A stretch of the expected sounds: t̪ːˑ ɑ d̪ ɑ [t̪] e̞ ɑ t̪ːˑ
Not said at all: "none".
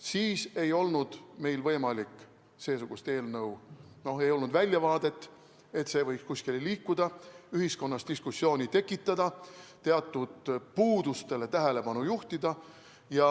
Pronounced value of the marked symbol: t̪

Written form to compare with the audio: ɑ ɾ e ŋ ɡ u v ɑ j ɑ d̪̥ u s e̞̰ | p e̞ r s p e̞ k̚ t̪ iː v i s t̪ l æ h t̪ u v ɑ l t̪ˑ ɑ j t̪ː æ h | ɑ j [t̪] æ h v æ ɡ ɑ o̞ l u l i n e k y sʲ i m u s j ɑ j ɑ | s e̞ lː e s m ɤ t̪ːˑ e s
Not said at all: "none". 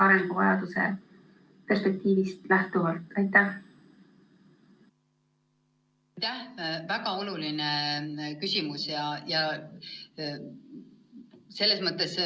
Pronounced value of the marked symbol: t̪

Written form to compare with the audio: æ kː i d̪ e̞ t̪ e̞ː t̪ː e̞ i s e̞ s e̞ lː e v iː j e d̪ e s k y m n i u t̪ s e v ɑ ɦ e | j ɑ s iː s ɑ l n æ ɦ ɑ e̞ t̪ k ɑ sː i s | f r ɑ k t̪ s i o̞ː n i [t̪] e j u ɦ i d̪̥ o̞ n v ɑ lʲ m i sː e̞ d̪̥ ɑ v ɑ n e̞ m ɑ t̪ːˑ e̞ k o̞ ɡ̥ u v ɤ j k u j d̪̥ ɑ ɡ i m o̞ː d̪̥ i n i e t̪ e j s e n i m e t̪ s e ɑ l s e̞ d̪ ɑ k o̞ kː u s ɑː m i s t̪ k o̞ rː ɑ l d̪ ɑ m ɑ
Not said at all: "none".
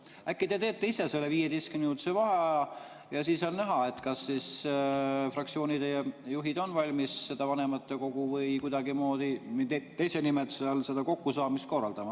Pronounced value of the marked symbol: d̪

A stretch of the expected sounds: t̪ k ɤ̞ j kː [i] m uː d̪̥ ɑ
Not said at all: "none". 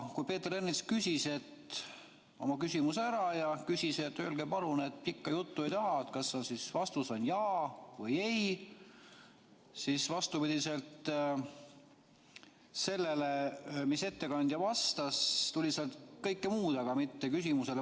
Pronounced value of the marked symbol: e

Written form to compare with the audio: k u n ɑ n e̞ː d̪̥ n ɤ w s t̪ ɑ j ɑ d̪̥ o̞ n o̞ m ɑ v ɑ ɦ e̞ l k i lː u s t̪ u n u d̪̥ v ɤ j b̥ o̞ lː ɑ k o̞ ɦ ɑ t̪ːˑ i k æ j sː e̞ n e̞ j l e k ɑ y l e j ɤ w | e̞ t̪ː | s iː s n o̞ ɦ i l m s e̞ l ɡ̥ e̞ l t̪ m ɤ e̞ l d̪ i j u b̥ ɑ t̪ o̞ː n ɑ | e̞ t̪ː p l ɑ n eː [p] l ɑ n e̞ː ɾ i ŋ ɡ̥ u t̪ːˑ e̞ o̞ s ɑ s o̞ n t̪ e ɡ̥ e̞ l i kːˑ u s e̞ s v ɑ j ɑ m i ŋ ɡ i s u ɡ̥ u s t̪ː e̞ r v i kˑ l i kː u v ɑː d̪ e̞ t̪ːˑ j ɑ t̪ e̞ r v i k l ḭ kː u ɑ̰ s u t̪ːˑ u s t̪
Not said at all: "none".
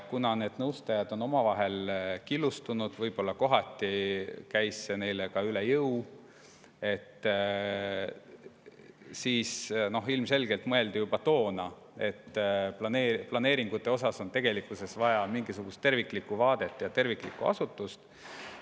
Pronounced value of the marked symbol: p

